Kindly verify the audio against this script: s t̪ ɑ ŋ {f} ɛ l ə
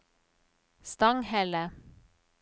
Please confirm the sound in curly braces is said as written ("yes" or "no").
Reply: no